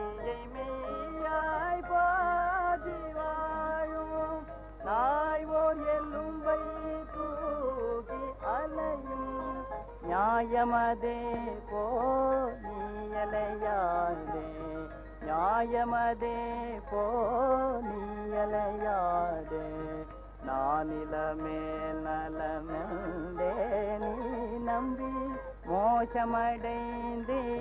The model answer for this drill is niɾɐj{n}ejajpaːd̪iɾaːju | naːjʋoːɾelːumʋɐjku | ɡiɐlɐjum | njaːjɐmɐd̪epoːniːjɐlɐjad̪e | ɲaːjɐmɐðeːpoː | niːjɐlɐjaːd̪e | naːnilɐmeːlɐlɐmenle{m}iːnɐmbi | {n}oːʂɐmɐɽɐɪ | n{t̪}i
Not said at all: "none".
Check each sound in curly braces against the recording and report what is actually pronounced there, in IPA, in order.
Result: m, n, m, d̪

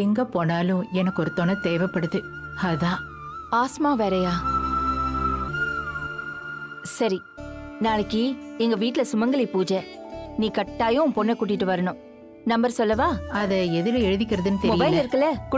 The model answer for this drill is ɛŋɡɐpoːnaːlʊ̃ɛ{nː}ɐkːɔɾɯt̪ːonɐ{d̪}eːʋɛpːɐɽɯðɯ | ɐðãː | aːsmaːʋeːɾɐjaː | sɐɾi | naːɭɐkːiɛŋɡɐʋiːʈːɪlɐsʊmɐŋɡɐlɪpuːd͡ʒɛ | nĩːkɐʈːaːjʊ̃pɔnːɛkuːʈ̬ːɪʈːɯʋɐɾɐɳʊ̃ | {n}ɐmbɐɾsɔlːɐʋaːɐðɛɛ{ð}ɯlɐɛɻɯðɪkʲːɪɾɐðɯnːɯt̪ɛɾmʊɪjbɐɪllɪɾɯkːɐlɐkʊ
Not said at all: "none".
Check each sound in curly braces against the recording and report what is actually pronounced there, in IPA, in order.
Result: n, t̪, n, ð

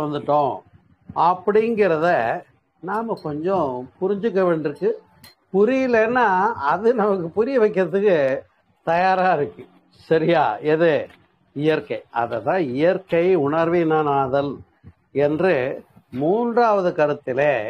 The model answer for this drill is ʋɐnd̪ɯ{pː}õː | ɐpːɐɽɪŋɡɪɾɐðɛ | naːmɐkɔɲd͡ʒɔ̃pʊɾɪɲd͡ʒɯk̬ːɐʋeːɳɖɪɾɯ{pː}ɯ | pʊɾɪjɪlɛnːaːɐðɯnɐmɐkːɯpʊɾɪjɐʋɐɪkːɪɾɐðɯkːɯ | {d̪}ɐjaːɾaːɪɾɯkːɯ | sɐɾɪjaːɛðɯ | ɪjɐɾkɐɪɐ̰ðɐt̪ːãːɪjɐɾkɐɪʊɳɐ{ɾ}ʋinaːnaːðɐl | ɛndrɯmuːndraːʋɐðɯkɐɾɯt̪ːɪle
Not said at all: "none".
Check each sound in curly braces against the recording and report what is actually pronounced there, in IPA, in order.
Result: ʈː, kː, t̪, ɾ

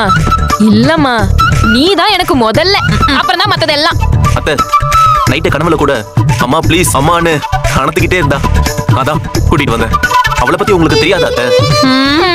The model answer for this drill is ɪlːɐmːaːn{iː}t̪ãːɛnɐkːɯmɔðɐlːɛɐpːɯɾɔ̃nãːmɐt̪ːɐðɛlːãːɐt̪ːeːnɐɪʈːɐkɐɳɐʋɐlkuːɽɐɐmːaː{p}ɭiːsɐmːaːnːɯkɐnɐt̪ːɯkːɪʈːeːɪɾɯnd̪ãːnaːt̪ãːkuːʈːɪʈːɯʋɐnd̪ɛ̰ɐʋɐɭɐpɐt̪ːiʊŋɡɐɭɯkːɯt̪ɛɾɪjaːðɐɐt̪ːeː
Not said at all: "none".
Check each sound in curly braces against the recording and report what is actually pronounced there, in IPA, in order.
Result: iː, p

